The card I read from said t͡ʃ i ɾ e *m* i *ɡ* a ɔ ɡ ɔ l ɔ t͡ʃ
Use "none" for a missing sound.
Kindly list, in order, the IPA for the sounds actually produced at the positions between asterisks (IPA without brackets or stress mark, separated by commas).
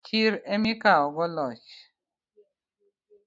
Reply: m, k